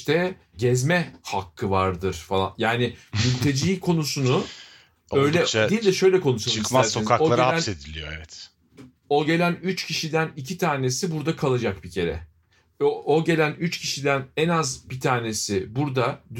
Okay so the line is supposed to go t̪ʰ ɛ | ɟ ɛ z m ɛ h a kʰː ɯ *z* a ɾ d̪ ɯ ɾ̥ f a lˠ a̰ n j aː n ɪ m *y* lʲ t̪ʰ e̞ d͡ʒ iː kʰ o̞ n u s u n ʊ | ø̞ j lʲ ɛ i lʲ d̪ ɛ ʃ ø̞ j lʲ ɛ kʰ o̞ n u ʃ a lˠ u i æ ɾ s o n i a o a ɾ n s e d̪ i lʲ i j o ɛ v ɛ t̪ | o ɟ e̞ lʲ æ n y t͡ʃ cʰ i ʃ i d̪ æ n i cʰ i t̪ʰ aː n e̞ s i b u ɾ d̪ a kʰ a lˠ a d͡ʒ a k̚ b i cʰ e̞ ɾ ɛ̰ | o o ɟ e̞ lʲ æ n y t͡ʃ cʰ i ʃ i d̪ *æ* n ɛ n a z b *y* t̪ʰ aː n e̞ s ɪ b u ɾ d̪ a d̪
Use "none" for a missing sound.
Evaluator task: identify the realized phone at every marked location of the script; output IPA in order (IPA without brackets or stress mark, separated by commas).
v, y, æ, i